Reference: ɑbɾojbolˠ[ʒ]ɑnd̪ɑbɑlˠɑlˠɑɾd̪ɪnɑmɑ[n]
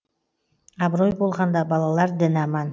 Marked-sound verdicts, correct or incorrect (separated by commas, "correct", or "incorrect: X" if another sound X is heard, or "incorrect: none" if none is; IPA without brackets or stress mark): incorrect: ʁ, correct